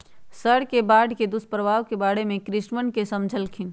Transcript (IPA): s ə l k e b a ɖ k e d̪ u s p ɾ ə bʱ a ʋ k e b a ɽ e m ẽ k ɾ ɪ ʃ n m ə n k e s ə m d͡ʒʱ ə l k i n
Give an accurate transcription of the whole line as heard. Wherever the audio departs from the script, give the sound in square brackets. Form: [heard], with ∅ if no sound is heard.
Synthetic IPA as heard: s ə [ɽ] k e b a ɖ k e d̪ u s p ɾ ə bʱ a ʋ k e b a ɽ e m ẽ k ɾ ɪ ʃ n m ə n k e s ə m d͡ʒʱ ə l [kʰ] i n

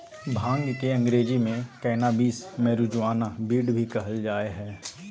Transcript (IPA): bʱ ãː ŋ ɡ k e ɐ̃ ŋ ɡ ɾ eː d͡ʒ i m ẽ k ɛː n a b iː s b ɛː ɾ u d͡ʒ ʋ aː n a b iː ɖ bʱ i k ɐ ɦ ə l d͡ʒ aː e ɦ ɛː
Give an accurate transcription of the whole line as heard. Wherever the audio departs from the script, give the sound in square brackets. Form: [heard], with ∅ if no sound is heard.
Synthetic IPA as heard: bʱ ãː ŋ ɡ k e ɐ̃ ŋ ɡ ɾ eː d͡ʒ i m ẽ k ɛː n a b iː s [m] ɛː ɾ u d͡ʒ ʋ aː n a b iː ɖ bʱ i k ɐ ɦ ə l d͡ʒ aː e ɦ ɛː

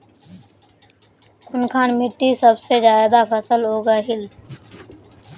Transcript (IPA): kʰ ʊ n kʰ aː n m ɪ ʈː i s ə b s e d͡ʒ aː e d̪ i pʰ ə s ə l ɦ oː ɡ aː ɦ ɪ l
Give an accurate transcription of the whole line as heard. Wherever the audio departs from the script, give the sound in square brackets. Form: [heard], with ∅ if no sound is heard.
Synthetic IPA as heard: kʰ ʊ n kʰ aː n m ɪ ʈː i s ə b s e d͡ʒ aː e d̪ [a] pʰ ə s ə l ɦ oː ɡ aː ɦ ɪ l

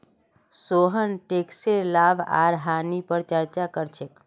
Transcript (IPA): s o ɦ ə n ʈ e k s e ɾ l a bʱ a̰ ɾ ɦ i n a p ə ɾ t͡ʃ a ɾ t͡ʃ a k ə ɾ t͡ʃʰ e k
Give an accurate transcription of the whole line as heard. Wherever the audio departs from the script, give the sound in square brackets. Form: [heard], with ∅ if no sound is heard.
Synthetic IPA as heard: s o ɦ ə n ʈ e k s e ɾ l a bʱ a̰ ɾ ɦ [a] n [i] p ə ɾ t͡ʃ [ə] ɾ t͡ʃ a k ə ɾ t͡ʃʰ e k

